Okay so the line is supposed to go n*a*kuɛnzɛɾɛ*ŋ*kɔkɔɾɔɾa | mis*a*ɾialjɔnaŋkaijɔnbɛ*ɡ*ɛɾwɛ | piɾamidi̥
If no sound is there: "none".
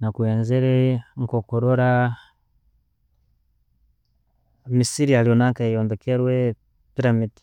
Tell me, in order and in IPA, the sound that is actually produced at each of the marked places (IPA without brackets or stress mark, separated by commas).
a, ŋ, i, k